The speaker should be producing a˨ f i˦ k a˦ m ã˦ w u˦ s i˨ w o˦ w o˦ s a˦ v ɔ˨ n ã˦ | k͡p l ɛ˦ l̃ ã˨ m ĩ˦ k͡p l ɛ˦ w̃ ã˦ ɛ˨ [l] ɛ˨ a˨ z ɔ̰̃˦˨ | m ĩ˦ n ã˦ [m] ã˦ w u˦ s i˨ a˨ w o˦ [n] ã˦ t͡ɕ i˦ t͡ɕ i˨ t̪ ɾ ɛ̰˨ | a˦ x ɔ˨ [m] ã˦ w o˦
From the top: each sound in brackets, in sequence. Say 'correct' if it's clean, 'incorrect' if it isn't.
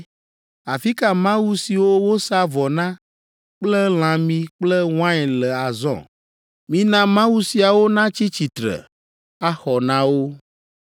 correct, correct, correct, incorrect: n

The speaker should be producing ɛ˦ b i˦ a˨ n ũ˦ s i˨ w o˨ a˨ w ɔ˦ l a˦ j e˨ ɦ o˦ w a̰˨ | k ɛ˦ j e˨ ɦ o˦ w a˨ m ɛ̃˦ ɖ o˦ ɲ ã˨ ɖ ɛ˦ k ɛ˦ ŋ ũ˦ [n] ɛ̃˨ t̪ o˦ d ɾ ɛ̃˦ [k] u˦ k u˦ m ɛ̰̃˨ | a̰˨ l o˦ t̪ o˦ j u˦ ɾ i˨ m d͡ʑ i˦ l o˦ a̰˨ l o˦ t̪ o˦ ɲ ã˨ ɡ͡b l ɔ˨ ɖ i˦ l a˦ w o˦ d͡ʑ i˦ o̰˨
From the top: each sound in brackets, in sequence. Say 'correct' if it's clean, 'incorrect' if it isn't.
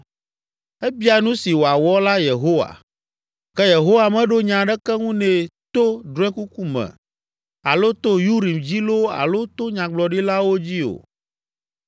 correct, correct

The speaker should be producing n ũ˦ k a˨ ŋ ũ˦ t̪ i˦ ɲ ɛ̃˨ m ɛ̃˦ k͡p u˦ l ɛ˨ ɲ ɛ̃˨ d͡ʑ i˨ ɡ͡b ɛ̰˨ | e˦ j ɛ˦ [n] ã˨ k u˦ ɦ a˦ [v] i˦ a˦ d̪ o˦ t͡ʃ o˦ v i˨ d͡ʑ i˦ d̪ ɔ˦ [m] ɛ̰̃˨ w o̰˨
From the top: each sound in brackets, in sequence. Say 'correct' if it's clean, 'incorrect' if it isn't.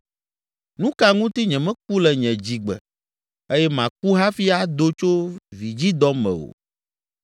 incorrect: m, incorrect: f, correct

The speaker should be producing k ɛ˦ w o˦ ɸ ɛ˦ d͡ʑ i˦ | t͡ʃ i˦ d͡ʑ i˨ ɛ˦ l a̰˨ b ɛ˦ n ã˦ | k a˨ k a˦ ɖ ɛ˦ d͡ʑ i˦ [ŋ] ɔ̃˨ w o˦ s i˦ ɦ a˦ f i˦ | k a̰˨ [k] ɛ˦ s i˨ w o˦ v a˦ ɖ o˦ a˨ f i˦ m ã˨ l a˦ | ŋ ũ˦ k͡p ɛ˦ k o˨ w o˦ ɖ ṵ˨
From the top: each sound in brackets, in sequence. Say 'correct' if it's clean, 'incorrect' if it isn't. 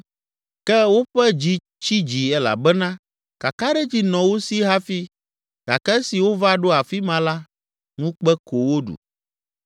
incorrect: n, correct

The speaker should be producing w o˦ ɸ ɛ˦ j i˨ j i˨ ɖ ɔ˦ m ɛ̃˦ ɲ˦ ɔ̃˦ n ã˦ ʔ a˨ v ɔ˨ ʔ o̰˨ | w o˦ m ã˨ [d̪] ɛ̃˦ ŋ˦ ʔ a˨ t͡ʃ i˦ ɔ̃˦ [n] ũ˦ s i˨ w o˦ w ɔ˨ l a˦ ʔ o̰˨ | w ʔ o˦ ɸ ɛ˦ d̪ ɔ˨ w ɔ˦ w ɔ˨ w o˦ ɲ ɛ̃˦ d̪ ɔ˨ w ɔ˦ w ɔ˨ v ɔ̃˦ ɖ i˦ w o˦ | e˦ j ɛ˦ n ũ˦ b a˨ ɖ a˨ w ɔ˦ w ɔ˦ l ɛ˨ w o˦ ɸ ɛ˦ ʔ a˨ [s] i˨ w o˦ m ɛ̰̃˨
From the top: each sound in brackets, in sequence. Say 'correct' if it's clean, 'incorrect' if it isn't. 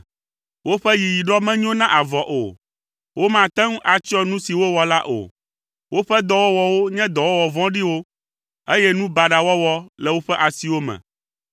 incorrect: t̪, correct, correct

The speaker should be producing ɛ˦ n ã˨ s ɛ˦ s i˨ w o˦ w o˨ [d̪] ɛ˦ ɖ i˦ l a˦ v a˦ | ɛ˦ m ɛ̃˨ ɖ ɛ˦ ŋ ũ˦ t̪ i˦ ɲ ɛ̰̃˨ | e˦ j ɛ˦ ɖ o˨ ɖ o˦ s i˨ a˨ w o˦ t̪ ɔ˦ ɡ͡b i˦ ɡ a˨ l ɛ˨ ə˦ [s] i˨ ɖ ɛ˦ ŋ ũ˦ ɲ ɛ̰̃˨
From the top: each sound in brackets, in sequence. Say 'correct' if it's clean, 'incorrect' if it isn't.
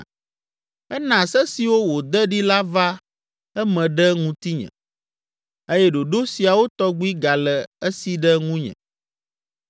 correct, correct

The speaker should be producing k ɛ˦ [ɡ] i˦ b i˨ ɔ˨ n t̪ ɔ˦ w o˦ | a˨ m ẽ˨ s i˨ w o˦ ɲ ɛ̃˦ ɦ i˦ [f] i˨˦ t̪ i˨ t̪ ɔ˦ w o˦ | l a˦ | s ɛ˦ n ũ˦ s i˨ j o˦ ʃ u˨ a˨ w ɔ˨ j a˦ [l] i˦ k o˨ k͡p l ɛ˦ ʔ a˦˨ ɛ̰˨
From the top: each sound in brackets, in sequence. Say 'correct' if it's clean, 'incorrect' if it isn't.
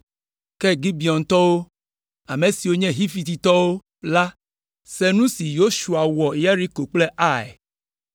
correct, correct, incorrect: ɾ

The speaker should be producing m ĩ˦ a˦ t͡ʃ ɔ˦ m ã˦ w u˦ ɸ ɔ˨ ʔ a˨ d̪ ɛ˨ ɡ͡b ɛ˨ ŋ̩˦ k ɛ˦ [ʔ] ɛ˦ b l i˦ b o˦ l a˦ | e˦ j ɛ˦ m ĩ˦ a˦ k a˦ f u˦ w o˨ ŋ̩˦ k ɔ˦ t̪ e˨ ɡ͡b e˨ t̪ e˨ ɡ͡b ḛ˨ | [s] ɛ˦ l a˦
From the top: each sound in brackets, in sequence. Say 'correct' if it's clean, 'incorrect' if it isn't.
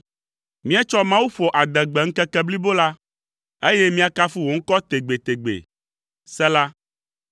incorrect: k, correct

